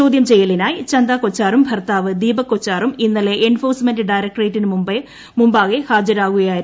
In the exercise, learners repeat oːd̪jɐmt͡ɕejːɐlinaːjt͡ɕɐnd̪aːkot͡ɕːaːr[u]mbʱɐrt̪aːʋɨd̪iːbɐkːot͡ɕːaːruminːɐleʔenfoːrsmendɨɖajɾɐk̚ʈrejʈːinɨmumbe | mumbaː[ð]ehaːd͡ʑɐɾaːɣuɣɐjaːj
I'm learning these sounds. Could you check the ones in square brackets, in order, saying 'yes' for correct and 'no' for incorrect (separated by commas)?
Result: yes, no